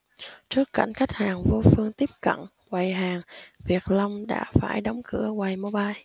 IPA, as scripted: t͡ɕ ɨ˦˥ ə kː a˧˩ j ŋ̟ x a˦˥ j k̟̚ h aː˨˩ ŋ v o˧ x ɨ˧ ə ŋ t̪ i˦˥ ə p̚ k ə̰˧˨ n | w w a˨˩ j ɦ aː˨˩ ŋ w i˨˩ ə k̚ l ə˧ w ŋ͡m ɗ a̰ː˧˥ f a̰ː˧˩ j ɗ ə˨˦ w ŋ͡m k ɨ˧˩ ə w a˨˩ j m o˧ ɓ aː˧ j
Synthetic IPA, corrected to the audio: t͡ɕ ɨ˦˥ ə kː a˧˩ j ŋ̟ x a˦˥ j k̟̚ h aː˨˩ ŋ v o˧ f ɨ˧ ə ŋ t̪ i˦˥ ə p̚ k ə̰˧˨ n | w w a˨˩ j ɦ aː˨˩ ŋ v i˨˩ ə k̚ l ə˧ w ŋ͡m ɗ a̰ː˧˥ f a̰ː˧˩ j ɗ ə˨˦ w ŋ͡m k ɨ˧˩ ə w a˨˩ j m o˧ ɓ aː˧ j